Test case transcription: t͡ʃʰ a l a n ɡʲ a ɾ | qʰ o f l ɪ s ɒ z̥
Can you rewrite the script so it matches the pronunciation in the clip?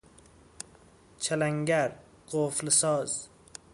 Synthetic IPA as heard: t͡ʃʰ a l a ŋ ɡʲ a ɾ | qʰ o f l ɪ s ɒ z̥